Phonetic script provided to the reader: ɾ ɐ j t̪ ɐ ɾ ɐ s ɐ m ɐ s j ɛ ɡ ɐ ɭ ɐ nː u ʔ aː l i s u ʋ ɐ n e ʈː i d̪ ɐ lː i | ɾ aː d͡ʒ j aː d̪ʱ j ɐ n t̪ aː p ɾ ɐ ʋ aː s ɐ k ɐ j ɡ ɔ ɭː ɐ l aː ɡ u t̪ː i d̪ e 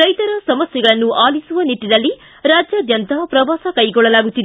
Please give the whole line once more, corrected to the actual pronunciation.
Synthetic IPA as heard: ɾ ɐ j t̪ ɐ ɾ ɐ s ɐ m ɐ s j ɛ ɡ ɐ ɭ ɐ nː u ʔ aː l i s u ʋ ɐ n i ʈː i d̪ ɐ lː i | ɾ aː d͡ʒ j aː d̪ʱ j ɐ n t̪ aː p ɾ ɐ ʋ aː s ɐ k ɐ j ɡ ɔ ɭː ɐ l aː ɡ u t̪ː i d̪ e